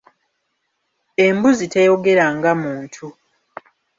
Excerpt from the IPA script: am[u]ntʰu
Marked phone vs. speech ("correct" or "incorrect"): incorrect